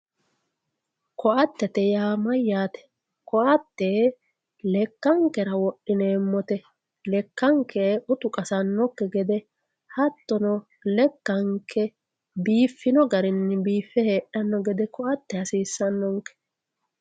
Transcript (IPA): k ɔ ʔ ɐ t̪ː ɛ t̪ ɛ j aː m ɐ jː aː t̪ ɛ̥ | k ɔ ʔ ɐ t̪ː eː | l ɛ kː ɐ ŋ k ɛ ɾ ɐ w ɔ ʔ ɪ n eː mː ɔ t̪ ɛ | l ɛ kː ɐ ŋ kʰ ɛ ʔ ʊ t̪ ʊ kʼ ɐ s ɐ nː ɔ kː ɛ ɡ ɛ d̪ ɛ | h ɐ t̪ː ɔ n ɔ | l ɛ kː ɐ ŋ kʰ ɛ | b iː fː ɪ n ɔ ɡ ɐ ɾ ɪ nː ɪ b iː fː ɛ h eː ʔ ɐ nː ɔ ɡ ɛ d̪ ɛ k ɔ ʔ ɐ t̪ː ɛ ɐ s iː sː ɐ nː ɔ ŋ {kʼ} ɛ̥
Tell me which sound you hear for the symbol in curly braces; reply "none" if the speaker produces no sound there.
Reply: k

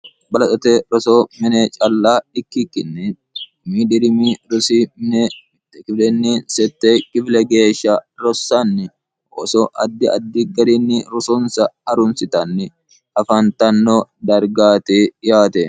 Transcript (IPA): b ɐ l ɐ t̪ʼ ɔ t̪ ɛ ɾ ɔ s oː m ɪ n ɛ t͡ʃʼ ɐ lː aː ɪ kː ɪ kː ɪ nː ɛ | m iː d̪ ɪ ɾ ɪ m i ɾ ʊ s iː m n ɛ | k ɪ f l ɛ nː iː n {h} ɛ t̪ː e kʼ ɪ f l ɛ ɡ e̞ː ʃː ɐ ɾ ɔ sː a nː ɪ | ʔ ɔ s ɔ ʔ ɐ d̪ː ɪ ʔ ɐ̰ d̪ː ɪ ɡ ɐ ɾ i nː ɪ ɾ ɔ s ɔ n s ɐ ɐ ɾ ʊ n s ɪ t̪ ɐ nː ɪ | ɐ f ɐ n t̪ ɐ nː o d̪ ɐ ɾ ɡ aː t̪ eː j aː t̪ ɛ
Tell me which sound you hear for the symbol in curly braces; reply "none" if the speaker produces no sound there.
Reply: s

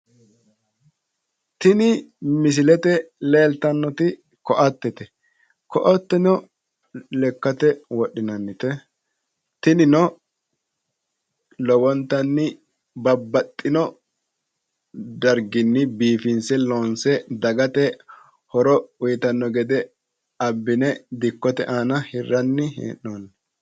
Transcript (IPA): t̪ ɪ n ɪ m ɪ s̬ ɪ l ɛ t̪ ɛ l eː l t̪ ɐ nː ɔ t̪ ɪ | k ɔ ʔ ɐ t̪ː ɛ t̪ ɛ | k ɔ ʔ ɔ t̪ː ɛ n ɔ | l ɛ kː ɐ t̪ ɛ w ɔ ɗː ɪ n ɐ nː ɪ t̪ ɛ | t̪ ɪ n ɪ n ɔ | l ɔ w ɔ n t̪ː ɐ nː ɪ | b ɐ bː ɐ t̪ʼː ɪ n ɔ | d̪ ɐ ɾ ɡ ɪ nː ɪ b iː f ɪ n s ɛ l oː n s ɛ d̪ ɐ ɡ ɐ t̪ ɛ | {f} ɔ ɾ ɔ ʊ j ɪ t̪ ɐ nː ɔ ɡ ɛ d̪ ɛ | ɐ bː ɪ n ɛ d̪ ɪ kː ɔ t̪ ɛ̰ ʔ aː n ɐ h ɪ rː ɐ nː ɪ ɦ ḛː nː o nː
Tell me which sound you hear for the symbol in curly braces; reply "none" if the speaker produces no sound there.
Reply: h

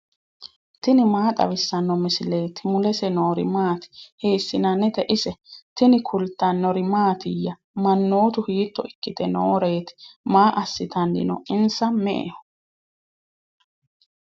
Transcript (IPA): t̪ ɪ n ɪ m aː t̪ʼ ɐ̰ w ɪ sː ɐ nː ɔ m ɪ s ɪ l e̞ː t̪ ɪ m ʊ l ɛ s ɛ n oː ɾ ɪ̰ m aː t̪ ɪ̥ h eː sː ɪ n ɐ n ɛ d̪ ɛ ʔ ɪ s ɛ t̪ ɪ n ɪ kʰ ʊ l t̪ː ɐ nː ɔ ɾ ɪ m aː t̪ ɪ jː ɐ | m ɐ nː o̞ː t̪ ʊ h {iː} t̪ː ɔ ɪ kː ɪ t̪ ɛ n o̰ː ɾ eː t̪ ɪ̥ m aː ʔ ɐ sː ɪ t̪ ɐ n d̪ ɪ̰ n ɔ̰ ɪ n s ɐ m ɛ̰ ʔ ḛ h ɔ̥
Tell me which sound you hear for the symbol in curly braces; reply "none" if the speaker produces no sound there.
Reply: iː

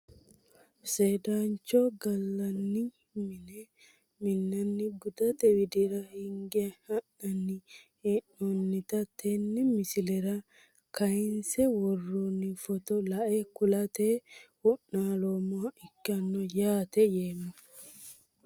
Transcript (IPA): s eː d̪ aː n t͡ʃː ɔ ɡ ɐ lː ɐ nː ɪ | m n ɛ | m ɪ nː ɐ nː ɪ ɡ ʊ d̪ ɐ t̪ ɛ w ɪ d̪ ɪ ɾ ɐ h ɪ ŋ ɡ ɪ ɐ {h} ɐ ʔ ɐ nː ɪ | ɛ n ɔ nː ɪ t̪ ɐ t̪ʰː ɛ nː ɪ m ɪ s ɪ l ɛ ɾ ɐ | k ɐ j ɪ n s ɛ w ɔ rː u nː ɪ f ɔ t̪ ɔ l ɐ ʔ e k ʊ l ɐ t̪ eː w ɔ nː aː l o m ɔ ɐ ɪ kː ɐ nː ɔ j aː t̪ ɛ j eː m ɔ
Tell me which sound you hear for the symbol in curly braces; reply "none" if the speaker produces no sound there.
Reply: h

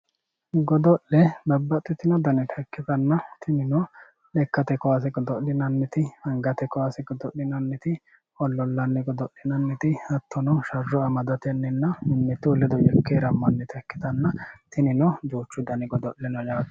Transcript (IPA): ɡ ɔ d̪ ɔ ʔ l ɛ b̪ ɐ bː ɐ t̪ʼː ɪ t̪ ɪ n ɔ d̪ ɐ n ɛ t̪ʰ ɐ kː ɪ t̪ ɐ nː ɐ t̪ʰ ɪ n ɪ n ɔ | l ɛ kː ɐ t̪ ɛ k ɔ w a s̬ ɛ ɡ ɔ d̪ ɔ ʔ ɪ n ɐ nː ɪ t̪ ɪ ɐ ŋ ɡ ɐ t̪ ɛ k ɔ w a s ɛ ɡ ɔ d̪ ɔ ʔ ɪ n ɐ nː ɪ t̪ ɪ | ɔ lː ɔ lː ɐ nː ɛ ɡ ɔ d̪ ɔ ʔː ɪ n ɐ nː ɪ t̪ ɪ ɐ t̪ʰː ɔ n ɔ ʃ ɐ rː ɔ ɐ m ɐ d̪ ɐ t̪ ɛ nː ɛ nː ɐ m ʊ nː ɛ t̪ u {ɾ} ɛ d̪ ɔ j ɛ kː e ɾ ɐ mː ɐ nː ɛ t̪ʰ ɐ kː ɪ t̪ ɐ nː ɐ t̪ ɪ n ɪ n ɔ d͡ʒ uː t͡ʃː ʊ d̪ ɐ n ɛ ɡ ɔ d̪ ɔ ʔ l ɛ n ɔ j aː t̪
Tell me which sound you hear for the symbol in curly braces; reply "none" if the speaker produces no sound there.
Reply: l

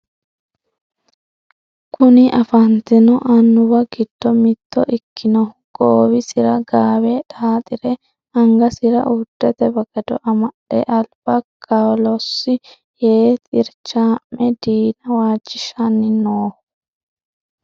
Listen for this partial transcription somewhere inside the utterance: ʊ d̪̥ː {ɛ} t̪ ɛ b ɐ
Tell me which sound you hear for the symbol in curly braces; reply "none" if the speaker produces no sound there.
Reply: ɛ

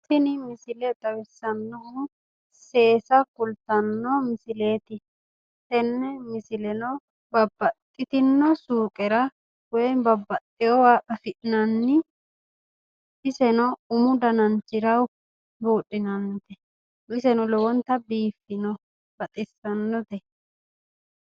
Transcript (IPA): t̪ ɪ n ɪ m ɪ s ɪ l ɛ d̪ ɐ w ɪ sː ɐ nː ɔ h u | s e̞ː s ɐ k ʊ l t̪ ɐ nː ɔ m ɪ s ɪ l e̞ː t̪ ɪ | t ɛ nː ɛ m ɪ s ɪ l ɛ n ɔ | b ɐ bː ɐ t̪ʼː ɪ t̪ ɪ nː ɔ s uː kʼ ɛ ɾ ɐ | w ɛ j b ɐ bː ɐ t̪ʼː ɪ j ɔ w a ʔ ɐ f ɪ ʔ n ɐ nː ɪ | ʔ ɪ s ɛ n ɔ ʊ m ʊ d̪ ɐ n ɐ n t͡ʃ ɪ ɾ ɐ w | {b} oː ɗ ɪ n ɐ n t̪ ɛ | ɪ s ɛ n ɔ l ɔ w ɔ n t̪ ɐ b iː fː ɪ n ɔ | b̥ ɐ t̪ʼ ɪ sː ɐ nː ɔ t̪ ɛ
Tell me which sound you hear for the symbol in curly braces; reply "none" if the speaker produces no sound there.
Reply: b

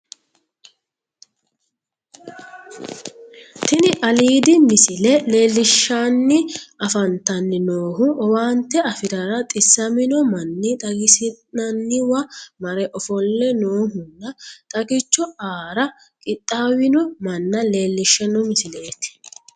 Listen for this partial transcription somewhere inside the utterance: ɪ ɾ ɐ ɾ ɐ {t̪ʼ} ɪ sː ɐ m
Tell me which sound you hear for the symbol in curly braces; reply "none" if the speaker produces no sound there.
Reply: t̪ʼ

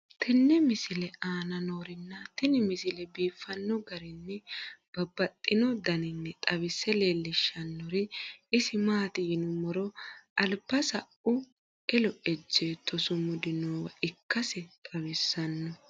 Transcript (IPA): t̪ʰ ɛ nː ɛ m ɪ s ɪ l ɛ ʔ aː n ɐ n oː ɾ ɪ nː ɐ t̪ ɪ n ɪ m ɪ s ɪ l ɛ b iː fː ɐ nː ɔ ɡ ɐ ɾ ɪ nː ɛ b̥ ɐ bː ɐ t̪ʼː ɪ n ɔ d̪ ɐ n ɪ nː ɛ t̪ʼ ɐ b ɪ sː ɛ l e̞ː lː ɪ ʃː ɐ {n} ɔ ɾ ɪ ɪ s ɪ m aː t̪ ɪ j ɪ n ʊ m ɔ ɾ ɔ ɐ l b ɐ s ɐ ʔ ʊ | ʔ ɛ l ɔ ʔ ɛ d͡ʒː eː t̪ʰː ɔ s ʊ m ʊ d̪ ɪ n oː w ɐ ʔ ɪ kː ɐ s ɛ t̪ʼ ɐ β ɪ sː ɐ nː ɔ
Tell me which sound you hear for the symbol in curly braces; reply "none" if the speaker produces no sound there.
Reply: nː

